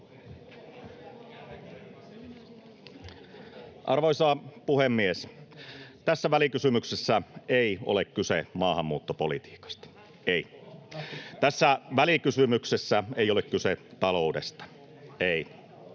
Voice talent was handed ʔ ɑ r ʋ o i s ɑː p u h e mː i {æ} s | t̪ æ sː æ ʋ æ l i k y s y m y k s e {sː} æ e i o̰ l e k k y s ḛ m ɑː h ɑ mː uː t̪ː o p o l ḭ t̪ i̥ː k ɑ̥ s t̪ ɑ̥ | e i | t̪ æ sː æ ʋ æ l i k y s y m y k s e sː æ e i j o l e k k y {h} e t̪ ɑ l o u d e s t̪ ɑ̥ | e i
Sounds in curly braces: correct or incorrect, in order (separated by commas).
incorrect, correct, incorrect